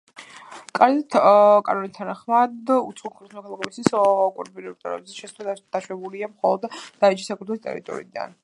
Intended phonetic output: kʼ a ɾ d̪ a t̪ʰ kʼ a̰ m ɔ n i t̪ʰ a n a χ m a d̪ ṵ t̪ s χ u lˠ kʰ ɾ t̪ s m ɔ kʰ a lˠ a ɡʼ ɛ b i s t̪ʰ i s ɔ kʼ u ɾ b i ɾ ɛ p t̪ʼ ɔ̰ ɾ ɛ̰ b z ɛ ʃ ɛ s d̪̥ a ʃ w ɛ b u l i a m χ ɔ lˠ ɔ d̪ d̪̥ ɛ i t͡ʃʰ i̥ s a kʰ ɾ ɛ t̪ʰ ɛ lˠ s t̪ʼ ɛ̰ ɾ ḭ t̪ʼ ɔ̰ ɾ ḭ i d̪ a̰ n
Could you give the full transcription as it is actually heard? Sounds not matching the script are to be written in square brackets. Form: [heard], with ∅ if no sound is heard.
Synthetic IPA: kʼ a ɾ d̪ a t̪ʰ kʼ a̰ [n] ɔ n i t̪ʰ a n a χ m a d̪ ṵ t̪ s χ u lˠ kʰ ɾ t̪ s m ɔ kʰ a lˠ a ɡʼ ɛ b i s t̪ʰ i s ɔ kʼ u ɾ b i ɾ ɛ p t̪ʼ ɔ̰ ɾ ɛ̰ b z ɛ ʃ ɛ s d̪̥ a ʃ w ɛ b u l i a m χ ɔ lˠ ɔ d̪ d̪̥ [a] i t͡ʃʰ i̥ s a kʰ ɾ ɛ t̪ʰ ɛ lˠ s t̪ʼ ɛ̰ ɾ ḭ t̪ʼ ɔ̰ ɾ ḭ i d̪ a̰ n